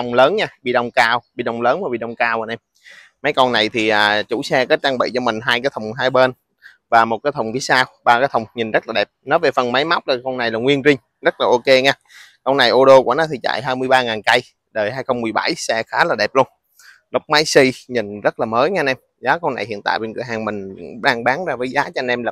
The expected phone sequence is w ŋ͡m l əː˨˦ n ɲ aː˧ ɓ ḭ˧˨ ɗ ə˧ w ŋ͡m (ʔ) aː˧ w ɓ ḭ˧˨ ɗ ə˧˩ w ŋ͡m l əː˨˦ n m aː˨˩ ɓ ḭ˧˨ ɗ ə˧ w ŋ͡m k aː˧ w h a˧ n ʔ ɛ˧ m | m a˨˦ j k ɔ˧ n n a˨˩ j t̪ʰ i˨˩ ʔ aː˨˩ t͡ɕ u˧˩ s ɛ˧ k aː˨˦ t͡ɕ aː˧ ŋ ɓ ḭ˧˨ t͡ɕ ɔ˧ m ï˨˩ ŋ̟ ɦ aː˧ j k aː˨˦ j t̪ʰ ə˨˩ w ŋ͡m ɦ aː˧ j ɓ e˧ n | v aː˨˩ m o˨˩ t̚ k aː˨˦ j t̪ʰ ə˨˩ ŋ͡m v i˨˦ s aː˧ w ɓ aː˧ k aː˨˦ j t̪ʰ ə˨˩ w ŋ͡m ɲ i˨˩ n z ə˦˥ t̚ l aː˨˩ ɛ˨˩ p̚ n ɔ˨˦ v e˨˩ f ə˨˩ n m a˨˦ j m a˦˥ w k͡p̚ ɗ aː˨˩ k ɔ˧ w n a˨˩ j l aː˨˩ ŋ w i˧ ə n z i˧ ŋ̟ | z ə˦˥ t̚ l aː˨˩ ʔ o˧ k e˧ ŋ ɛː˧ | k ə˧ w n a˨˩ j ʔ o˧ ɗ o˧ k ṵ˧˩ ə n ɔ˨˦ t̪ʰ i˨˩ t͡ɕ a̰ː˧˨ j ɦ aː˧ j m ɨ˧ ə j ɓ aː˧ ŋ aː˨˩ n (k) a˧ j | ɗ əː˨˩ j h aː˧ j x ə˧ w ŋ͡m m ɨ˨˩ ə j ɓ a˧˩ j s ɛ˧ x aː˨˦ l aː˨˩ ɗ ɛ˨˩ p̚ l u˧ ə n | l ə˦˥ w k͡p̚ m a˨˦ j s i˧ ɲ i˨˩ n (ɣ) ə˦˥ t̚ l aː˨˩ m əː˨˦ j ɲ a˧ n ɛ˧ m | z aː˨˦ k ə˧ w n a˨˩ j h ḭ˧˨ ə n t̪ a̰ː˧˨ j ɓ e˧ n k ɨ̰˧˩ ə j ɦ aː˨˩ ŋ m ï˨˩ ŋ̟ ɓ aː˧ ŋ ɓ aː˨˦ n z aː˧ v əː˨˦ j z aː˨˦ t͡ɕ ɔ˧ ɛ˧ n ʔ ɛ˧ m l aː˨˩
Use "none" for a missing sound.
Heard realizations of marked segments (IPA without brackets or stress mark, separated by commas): k, k, z